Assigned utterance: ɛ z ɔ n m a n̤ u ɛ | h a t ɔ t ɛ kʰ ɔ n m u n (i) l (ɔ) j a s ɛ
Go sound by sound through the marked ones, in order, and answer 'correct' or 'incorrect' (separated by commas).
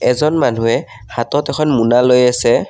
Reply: incorrect, incorrect